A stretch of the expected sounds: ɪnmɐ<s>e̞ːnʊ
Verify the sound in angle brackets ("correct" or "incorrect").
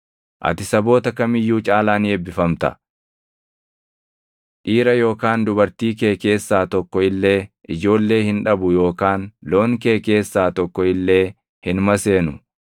correct